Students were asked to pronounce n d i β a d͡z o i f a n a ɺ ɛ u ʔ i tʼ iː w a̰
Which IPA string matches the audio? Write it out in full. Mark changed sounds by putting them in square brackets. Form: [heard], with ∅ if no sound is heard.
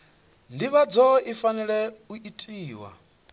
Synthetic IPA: n d i β a d͡z [ɔ] i f a n [ɛ] ɺ ɛ u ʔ i tʼ iː w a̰